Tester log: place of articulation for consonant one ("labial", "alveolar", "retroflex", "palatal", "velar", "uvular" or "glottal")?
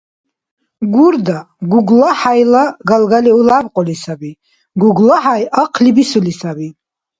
velar